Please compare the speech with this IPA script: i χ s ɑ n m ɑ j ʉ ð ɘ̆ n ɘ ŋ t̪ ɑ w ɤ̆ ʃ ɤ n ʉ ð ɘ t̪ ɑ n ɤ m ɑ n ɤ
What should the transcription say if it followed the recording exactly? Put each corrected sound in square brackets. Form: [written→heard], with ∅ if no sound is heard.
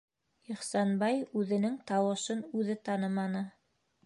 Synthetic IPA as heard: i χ s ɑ n [m→b] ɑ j ʉ ð ɘ̆ n ɘ ŋ t̪ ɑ w ɤ̆ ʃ ɤ n ʉ ð ɘ t̪ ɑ n ɤ m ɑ n ɤ